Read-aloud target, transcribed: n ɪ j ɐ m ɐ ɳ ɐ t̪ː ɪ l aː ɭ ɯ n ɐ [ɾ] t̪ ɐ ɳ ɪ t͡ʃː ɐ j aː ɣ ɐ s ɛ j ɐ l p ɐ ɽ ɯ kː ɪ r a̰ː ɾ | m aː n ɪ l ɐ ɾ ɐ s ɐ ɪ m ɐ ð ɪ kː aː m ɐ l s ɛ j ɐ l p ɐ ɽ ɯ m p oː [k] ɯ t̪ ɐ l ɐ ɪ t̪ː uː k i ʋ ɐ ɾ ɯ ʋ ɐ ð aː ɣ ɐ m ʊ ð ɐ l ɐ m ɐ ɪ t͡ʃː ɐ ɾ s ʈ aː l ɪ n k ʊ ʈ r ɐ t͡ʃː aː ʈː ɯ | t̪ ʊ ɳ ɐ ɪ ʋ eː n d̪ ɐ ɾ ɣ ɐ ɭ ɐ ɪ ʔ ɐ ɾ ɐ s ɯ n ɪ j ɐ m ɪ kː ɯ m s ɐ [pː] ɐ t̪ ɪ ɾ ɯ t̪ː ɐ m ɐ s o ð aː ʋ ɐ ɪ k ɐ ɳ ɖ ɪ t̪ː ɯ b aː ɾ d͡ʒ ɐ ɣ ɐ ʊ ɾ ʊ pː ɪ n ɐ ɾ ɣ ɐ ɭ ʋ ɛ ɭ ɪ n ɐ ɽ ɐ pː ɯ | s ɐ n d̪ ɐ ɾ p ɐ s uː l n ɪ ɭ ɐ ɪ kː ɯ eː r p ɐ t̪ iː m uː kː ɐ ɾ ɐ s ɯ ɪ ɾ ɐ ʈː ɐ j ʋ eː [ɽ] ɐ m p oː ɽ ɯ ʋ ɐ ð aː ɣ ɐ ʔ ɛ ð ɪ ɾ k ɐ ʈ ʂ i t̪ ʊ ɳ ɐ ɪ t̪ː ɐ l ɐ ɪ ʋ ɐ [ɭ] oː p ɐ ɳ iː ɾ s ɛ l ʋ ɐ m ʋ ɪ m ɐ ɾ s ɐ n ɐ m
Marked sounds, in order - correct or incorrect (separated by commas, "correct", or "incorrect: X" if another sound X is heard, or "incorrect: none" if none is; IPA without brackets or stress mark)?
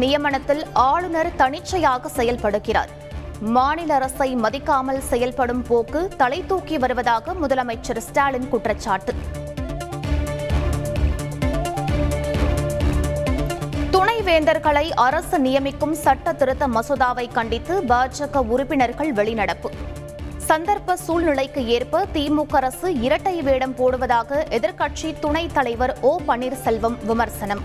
correct, correct, incorrect: ʈː, correct, incorrect: ɾ